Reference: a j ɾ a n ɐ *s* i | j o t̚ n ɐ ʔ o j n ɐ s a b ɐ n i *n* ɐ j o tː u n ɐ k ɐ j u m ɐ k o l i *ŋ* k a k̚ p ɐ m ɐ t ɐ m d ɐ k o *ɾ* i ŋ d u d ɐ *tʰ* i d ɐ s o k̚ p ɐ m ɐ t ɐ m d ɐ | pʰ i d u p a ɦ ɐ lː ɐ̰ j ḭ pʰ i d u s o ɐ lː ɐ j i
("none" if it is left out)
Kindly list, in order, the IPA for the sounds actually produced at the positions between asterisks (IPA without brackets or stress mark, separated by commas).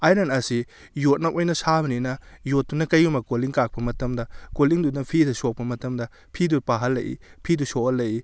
s, n, ŋ, l, pʰ